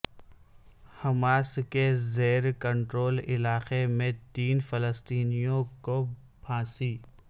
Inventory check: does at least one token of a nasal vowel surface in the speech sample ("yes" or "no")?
yes